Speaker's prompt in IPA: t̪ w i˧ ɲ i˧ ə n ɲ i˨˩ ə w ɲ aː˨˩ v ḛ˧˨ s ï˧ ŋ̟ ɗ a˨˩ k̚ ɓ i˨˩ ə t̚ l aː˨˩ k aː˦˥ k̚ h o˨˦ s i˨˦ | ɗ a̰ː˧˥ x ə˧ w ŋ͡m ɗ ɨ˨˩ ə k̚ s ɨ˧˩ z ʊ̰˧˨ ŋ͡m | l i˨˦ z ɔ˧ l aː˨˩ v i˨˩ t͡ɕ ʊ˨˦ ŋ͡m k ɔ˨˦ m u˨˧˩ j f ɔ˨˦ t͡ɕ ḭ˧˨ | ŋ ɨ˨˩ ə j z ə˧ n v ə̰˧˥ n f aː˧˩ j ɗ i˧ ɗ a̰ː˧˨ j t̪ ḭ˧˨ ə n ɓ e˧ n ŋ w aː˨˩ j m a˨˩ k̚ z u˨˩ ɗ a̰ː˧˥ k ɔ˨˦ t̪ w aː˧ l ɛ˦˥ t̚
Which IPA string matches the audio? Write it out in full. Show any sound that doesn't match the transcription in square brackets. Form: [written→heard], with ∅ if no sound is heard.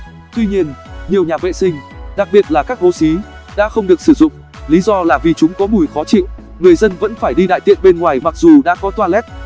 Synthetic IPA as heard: t̪ w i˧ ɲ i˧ ə n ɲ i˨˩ ə w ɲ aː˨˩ v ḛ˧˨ s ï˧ ŋ̟ ɗ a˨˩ k̚ ɓ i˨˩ ə t̚ l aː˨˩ k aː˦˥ k̚ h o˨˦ s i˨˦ | ɗ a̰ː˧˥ x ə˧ w ŋ͡m ɗ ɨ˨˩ ə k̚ s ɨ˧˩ z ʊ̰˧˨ ŋ͡m | l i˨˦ z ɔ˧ l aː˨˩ v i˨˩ t͡ɕ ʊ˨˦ ŋ͡m k ɔ˨˦ m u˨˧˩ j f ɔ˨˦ t͡ɕ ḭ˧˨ | ŋ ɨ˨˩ ə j z ə˧ n v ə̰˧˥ n f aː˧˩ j ɗ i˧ ɗ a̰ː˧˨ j t̪ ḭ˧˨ ə n ɓ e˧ n ŋ w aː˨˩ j m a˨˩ k̚ z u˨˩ ɗ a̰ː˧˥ k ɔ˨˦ t̪ w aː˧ l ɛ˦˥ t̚